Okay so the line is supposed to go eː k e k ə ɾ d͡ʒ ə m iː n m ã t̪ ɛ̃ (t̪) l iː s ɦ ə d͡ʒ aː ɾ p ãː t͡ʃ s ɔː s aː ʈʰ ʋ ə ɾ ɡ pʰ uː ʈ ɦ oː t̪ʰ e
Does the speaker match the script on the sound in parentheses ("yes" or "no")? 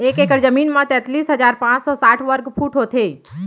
yes